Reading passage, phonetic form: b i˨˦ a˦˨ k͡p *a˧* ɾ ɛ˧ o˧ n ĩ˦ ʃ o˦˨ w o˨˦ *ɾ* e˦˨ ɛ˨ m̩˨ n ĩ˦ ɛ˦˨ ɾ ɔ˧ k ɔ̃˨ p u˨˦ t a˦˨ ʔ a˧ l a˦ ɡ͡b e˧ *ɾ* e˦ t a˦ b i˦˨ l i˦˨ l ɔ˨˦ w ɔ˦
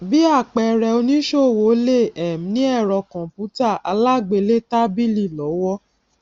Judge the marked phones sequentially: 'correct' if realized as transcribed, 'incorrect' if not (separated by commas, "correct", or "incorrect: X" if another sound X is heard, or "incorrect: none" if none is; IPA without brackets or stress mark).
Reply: incorrect: ɛ˧, incorrect: l, incorrect: l